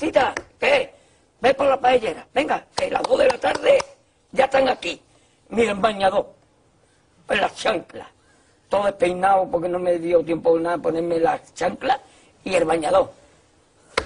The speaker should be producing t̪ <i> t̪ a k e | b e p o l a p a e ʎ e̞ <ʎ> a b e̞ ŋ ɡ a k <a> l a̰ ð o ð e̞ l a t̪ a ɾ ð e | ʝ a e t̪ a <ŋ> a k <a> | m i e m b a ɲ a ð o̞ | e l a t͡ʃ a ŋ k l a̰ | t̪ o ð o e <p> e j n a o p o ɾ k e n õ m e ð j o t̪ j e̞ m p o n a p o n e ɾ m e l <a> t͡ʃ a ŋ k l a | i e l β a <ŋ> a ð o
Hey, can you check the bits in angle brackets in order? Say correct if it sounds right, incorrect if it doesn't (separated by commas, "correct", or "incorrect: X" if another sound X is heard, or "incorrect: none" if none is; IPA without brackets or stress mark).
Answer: correct, incorrect: ɾ, incorrect: e, correct, incorrect: i, correct, correct, incorrect: ɲ